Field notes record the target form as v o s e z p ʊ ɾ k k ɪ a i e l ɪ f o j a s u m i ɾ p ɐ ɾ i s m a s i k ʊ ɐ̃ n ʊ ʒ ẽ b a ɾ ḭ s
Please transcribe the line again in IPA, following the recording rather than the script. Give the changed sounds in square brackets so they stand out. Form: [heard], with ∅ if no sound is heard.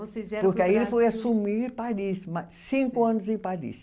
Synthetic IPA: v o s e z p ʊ ɾ k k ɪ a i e l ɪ f o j a s u m i ɾ p [a] ɾ i s m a s [ĩ] k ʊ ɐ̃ n ʊ [z] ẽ [p] a ɾ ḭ s